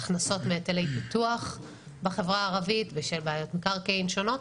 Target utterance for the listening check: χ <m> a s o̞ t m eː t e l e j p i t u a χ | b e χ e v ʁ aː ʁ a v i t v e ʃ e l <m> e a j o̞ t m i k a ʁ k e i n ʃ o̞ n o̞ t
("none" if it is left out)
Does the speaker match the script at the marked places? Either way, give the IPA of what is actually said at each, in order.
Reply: n, b

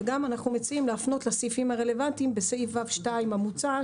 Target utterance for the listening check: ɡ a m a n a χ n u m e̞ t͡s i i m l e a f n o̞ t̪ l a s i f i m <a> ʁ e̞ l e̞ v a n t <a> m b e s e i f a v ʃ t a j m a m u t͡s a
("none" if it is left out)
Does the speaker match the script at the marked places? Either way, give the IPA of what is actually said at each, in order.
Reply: a, i

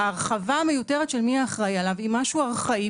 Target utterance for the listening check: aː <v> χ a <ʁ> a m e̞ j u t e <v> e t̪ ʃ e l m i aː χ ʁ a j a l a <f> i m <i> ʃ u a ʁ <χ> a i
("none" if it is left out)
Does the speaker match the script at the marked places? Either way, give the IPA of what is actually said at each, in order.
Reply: ʁ, v, ʁ, v, a, χ

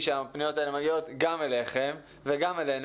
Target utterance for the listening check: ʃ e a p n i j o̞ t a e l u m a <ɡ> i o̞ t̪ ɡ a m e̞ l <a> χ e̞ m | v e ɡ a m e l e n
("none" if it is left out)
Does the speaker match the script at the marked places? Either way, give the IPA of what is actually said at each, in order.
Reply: ɡ, e

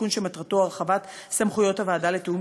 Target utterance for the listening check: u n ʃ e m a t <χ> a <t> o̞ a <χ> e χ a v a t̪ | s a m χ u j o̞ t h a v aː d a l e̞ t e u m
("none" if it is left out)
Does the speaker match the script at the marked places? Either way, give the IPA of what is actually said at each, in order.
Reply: ʁ, t, ʁ

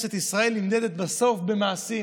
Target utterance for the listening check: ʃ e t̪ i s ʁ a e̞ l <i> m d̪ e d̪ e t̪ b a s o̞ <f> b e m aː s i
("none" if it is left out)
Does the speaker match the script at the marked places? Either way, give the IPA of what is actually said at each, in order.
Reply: i, f

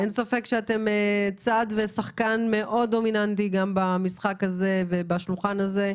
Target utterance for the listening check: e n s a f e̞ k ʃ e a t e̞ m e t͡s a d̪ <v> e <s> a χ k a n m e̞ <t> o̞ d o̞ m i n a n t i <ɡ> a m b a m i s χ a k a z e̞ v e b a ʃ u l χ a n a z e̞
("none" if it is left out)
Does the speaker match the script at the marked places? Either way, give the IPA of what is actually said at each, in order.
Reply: v, s, ʔ, ɡ

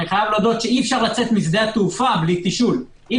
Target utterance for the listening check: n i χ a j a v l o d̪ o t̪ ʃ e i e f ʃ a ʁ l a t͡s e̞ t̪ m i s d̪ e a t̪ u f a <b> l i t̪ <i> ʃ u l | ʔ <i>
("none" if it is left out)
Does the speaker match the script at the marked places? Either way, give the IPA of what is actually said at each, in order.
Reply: b, i, i

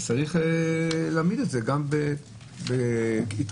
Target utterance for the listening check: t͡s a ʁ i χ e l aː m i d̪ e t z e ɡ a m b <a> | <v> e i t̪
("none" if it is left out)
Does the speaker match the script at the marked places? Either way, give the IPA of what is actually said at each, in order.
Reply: e, b

